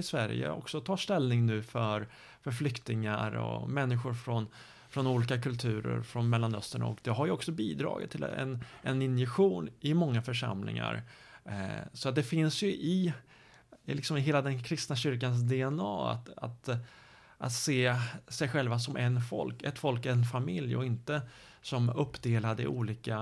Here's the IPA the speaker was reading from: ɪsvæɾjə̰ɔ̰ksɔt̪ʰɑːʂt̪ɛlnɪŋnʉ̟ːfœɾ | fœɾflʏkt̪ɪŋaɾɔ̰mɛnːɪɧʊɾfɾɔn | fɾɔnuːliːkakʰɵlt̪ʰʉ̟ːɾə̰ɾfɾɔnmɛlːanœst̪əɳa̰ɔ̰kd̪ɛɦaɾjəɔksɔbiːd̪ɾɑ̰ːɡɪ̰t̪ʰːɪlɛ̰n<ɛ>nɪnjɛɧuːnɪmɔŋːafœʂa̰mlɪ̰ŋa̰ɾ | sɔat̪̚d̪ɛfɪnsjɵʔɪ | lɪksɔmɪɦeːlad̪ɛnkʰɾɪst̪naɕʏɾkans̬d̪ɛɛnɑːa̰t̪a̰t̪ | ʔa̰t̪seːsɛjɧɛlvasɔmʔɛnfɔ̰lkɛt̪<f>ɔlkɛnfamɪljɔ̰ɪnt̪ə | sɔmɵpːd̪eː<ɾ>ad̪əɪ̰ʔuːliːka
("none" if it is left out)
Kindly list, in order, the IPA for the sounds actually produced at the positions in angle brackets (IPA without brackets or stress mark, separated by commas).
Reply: ɛ, f, l